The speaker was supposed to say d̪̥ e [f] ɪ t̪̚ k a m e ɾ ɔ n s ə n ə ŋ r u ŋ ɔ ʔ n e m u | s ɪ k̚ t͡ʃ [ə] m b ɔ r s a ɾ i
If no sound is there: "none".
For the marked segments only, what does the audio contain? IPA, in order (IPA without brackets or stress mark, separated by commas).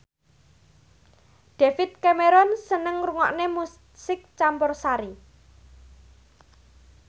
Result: f, a